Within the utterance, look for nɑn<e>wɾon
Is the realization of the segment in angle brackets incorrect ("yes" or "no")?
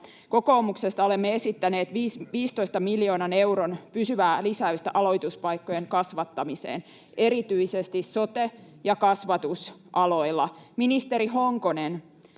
no